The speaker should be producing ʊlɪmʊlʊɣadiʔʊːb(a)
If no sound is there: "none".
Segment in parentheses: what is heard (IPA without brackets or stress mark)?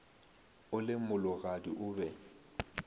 ɛ